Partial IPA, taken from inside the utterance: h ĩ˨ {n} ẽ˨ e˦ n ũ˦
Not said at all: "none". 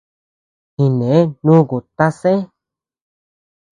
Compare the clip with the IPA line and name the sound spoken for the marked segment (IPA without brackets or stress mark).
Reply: n